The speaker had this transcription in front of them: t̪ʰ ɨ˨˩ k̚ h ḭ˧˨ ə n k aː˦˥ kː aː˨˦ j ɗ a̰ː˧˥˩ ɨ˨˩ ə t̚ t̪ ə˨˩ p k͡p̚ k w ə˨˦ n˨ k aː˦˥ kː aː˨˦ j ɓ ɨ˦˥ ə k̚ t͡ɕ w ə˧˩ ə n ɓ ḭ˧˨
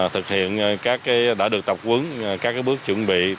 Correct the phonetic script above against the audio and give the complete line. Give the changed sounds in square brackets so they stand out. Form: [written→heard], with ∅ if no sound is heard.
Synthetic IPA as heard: t̪ʰ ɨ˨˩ k̚ h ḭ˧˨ ə n k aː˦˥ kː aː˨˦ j ɗ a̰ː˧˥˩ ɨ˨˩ ə [t̚→k̚] t̪ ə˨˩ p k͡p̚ k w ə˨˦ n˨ k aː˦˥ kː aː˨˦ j ɓ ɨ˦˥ ə k̚ t͡ɕ w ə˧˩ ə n ɓ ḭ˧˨

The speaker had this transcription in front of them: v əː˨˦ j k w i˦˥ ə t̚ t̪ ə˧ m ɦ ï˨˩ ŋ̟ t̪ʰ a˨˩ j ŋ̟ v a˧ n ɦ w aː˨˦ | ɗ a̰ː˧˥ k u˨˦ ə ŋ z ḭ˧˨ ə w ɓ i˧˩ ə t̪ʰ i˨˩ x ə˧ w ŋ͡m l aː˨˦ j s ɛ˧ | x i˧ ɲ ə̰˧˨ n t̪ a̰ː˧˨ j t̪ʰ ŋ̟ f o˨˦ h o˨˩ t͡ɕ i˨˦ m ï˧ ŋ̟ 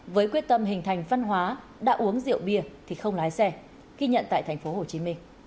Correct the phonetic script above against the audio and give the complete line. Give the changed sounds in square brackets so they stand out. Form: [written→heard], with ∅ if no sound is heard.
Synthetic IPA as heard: v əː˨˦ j k w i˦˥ ə t̚ t̪ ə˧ m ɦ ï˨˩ ŋ̟ t̪ʰ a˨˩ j ŋ̟ v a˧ n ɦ w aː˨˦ | ɗ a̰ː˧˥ [k→ʔ] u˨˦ ə ŋ z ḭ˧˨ ə w ɓ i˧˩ ə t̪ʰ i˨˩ x ə˧ w ŋ͡m l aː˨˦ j s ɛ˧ | [x→ɣ] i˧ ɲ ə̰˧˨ n t̪ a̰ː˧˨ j t̪ʰ ŋ̟ f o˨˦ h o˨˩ t͡ɕ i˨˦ m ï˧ ŋ̟

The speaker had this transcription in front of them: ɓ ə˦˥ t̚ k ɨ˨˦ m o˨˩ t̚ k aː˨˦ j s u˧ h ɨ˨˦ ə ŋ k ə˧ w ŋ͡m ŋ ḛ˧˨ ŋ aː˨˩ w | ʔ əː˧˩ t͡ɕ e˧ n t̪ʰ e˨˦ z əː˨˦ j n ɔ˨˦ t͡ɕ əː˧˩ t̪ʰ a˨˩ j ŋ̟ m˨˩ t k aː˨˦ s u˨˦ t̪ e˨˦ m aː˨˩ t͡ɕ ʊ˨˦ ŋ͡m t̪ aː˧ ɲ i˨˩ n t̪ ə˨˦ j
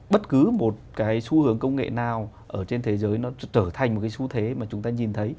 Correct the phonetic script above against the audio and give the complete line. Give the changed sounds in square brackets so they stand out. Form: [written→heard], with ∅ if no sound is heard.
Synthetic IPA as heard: ɓ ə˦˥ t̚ k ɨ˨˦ m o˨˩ t̚ k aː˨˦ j s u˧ h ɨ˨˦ ə ŋ k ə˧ w ŋ͡m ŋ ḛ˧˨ [ŋ→n] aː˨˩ w | ʔ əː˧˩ t͡ɕ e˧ n t̪ʰ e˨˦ z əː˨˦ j n ɔ˨˦ t͡ɕ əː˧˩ t̪ʰ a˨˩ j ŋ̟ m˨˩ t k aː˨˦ s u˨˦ [t̪→t̪ʰ] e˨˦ m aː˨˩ t͡ɕ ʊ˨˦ ŋ͡m t̪ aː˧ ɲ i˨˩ n [t̪→t̪ʰ] ə˨˦ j

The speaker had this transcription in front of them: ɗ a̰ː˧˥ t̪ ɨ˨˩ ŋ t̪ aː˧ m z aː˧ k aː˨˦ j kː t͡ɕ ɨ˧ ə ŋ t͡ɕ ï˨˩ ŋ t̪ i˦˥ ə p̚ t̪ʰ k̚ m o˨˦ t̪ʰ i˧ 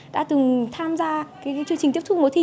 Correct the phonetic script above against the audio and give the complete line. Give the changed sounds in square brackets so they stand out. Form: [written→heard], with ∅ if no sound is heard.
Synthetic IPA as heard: ɗ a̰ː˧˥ t̪ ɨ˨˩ ŋ [t̪→t̪ʰ] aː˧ m z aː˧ k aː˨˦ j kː t͡ɕ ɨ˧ ə ŋ t͡ɕ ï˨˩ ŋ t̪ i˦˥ ə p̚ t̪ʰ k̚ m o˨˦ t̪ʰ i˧

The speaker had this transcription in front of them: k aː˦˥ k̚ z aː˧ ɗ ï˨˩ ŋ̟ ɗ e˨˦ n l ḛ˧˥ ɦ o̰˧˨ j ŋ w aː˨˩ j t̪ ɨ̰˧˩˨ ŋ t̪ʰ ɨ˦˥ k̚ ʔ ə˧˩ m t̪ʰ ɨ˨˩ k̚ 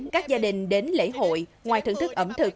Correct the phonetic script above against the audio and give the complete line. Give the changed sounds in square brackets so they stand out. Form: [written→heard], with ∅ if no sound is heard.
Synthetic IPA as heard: k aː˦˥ k̚ z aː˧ ɗ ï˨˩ ŋ̟ ɗ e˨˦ n l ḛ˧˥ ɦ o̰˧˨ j ŋ w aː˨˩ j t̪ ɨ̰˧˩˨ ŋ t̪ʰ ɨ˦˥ k̚ ʔ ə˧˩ m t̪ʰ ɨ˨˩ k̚

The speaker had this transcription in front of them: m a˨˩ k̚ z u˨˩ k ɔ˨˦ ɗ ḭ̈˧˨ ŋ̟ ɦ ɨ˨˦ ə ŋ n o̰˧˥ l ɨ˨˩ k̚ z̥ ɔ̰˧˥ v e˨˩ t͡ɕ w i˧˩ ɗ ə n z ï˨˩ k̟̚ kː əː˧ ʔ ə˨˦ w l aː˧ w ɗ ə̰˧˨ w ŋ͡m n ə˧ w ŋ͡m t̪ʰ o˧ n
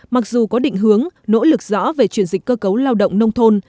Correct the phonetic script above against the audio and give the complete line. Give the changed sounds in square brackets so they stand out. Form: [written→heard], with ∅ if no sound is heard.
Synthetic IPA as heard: m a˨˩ k̚ z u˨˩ k ɔ˨˦ ɗ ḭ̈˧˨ ŋ̟ ɦ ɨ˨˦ ə ŋ n o̰˧˥ l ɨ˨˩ k̚ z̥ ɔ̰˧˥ v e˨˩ t͡ɕ w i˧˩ [ɗ→∅] ə n z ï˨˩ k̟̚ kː əː˧ [ʔ→k] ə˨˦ w l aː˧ w ɗ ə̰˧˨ w ŋ͡m n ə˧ w ŋ͡m t̪ʰ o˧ n

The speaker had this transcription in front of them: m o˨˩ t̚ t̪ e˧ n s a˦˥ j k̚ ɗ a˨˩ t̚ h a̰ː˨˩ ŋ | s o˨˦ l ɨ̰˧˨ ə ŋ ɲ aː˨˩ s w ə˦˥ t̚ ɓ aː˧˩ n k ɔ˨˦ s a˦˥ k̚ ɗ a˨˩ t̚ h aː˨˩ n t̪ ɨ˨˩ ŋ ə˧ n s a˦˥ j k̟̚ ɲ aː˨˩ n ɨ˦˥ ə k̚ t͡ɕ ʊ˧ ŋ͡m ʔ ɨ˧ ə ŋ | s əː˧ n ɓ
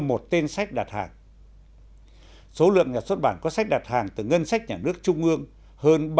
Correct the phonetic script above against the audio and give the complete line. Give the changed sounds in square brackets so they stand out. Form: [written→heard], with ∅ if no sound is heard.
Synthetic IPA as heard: m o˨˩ t̚ t̪ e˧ n s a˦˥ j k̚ ɗ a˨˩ t̚ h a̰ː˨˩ ŋ | s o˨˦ l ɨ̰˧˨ ə ŋ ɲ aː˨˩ s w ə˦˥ t̚ ɓ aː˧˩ n k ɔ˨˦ s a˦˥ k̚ ɗ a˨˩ t̚ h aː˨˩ [n→ŋ] t̪ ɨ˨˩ ŋ ə˧ n s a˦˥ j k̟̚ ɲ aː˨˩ n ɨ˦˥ ə k̚ t͡ɕ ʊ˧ ŋ͡m ʔ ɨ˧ ə ŋ | [s→h] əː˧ n ɓ

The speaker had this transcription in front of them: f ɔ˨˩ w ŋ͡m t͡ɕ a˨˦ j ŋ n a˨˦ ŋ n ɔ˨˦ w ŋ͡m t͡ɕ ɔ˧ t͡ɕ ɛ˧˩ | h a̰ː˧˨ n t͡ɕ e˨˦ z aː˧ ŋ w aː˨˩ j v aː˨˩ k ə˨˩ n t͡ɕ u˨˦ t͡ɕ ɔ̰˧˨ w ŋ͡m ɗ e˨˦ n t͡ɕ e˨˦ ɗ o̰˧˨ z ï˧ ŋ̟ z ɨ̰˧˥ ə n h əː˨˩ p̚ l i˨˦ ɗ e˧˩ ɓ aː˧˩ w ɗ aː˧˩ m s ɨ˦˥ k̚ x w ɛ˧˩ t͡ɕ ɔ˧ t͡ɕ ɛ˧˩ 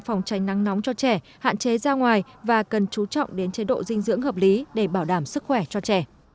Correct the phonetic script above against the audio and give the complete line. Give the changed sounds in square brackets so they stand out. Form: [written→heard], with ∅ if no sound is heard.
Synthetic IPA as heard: f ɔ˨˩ w ŋ͡m t͡ɕ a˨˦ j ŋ n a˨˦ ŋ n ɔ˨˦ w ŋ͡m t͡ɕ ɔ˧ t͡ɕ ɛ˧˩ | h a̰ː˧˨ n t͡ɕ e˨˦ z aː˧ ŋ w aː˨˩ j v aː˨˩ k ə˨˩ n t͡ɕ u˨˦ t͡ɕ ɔ̰˧˨ w ŋ͡m ɗ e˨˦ n t͡ɕ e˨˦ ɗ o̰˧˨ z ï˧ ŋ̟ z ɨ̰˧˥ ə [n→ŋ] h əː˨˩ p̚ l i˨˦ ɗ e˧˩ ɓ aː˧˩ w ɗ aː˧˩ m s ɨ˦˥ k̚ x w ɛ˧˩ t͡ɕ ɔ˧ t͡ɕ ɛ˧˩

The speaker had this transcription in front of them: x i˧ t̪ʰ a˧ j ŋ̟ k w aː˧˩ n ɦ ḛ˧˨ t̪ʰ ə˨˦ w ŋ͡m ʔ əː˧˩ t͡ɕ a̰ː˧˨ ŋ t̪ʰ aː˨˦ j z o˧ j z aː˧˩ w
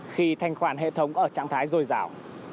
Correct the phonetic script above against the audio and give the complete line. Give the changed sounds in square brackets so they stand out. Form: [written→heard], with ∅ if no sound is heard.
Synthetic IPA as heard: x i˧ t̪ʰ a˧ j ŋ̟ [k→x] w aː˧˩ n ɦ ḛ˧˨ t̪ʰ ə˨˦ w ŋ͡m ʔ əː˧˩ t͡ɕ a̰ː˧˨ ŋ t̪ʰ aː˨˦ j z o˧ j z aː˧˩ w

